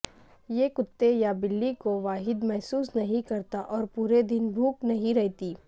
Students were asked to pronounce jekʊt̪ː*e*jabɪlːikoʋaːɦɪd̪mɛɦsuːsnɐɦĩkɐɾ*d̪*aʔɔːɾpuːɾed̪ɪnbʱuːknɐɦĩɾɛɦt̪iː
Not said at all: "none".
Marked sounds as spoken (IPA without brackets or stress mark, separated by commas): e, t̪